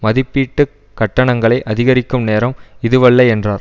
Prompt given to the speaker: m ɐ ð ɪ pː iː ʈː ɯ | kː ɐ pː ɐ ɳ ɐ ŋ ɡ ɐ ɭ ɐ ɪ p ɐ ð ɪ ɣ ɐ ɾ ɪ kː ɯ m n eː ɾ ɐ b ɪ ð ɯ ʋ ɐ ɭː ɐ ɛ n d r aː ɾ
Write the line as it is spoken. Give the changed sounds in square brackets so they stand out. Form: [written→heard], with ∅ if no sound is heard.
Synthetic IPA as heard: m ɐ ð ɪ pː iː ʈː ɯ | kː ɐ [pː→ʈː] ɐ ɳ ɐ ŋ ɡ ɐ ɭ ɐ ɪ [p→ʔ] ɐ ð ɪ ɣ ɐ ɾ ɪ kː ɯ m n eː ɾ ɐ [b→m] ɪ ð ɯ ʋ ɐ ɭː ɐ ɛ n d r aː ɾ